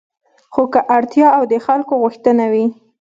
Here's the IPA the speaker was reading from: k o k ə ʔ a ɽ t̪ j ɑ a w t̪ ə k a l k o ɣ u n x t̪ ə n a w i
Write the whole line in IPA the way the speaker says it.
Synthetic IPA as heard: x o k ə ʔ a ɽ t̪ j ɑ a w d̪ ə x a l k o ɣ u x t̪ ə n a w i